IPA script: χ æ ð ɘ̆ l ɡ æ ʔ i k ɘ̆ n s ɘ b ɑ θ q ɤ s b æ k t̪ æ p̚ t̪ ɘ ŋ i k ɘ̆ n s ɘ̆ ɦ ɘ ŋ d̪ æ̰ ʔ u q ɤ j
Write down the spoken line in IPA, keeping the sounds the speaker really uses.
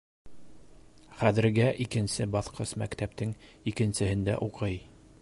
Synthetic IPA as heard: χ æ ð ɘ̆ ɾ ɡ æ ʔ i k ɘ̆ n s ɘ b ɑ θ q ɤ s m æ k t̪ æ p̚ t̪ ɘ ŋ i k ɘ̆ n s ɘ̆ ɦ ɘ n d̪ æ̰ ʔ u q ɤ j